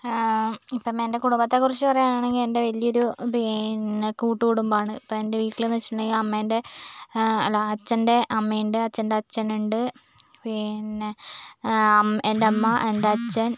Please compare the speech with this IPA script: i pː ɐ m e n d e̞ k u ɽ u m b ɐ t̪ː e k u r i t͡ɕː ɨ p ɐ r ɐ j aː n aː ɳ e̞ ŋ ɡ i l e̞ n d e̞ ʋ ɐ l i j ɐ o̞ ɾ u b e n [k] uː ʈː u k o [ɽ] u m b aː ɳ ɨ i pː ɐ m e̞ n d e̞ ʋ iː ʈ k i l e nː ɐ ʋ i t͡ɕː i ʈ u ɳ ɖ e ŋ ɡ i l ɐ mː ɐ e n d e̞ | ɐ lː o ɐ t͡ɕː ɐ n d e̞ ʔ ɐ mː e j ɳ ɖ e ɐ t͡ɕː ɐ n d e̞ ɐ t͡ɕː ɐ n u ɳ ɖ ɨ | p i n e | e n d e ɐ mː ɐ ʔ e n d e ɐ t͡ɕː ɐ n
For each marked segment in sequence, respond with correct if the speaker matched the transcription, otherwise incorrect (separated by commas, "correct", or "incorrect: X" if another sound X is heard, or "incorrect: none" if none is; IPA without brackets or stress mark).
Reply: correct, correct